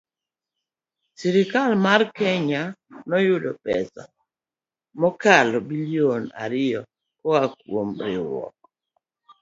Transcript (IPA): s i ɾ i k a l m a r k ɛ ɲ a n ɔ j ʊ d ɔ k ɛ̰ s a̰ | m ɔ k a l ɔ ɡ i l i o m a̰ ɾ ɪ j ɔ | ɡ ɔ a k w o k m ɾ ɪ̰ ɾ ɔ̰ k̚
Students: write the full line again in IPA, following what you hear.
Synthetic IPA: s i ɾ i k a l m a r k ɛ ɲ a n ɔ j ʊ d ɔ p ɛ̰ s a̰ | m ɔ k a l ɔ b i l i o n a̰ ɾ ɪ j ɔ | k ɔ a k w o m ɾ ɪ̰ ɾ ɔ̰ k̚